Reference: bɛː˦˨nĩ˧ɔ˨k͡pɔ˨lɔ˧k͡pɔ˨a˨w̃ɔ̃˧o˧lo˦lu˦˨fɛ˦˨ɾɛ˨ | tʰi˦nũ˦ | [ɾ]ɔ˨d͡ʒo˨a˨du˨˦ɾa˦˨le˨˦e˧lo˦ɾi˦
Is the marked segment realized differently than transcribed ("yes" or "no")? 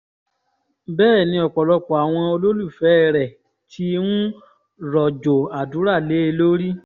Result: no